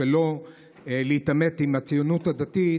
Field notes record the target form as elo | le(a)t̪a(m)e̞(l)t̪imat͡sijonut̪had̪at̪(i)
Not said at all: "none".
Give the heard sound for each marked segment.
i, m, none, i

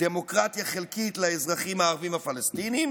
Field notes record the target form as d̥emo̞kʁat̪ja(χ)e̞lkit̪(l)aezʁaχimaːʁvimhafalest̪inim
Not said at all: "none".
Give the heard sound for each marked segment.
χ, l

